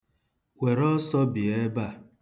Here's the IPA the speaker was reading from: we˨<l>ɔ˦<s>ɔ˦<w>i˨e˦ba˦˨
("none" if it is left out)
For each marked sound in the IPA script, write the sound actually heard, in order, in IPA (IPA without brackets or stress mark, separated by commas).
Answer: ɾ, s, b